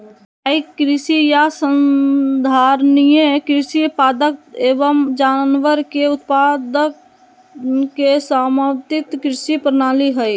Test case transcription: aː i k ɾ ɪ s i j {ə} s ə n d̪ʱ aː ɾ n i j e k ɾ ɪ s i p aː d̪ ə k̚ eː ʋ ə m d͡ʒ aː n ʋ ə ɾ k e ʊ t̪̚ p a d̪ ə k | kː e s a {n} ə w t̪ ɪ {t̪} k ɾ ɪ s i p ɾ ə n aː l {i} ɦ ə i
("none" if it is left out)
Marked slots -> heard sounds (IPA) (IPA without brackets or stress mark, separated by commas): a, m, t̪, i